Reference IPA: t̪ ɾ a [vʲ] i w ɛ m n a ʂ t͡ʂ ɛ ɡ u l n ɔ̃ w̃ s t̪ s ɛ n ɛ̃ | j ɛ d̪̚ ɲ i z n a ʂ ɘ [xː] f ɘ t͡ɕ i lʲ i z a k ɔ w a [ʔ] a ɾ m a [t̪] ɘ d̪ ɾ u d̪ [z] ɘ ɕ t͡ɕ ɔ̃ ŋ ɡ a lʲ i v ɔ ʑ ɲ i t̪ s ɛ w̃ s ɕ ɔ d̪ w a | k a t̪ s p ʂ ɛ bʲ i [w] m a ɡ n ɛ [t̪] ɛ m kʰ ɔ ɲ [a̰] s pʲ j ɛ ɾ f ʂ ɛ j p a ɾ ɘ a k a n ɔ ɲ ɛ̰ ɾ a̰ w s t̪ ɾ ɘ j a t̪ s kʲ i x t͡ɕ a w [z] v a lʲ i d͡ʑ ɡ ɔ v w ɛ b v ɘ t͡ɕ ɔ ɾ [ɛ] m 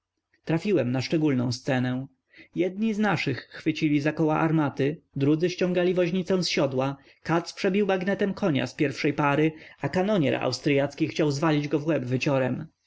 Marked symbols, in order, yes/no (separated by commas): no, yes, yes, yes, yes, yes, yes, yes, yes, yes